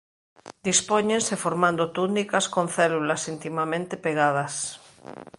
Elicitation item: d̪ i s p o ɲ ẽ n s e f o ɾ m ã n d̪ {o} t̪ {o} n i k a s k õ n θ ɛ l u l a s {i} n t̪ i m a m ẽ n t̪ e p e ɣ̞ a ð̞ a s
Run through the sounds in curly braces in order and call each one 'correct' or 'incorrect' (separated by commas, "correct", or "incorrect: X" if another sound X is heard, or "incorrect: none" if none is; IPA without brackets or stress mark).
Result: correct, incorrect: u, correct